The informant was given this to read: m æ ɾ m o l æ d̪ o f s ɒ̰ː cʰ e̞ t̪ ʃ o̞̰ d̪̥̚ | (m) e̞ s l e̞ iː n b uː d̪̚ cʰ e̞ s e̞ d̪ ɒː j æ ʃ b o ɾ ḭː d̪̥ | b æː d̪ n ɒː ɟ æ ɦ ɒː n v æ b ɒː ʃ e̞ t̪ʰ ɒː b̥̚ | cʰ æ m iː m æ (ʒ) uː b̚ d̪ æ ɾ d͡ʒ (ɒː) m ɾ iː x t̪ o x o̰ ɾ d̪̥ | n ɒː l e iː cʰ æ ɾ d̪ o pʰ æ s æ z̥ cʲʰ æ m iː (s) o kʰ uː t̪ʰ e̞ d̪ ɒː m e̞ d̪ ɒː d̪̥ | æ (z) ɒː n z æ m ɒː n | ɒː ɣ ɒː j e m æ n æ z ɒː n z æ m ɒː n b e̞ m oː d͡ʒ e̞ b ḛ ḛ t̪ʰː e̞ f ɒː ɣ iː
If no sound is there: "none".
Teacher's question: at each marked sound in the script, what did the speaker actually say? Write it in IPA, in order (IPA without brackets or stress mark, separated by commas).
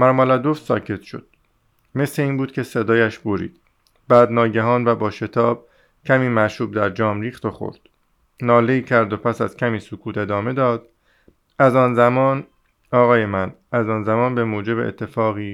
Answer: m, ʃ, ɒː, s, z